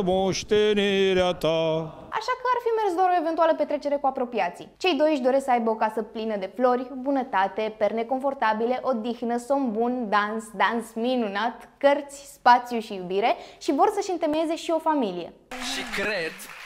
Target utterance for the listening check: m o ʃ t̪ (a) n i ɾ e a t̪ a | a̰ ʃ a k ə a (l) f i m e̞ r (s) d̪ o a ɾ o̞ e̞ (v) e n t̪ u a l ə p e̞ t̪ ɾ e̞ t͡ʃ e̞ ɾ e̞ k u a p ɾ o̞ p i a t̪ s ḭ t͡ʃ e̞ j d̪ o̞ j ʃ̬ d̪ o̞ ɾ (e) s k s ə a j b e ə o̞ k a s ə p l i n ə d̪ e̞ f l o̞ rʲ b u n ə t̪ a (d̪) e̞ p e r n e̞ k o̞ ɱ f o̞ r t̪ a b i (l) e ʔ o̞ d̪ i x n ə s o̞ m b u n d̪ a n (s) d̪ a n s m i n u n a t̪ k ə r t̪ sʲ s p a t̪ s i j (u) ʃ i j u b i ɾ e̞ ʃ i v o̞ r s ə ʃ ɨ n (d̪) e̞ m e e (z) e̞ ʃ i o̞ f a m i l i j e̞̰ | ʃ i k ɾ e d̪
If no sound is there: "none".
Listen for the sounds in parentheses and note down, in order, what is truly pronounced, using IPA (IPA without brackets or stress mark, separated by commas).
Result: e, r, s, v, e, t̪, l, s, u, t̪, z